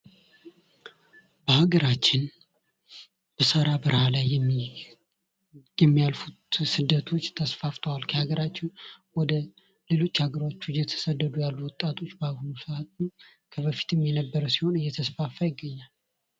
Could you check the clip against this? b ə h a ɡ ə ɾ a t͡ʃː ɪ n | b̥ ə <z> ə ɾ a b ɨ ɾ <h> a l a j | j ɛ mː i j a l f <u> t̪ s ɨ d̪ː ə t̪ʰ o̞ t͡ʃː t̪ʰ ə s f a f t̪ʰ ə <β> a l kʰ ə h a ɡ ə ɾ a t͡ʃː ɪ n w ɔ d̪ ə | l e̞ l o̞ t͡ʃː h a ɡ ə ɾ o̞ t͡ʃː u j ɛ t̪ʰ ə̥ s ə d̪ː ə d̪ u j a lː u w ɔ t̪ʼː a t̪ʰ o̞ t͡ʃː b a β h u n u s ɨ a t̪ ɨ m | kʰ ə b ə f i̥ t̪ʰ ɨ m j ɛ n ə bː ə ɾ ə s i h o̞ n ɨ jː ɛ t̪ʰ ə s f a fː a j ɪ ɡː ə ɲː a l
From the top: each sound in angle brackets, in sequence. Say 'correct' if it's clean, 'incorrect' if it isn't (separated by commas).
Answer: incorrect, correct, correct, incorrect